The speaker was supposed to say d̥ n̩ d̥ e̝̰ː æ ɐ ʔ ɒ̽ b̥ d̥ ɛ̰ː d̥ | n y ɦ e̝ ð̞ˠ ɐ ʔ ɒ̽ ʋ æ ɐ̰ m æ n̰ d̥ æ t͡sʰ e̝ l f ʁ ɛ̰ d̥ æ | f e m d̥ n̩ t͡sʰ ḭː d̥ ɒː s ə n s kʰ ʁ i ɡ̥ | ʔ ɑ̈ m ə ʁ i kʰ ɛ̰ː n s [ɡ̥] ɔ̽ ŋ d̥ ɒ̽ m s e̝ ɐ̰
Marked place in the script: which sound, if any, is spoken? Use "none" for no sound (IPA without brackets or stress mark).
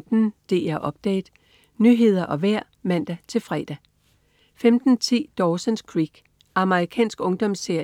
ɡ̥